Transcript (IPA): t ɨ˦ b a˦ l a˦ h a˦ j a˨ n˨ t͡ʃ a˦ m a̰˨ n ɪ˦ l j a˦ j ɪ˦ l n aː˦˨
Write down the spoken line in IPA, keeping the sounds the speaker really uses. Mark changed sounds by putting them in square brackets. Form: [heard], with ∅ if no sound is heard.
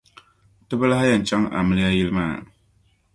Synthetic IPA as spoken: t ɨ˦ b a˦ l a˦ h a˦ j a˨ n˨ t͡ʃ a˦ [ŋ] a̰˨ [m] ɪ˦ l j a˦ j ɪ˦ l [m] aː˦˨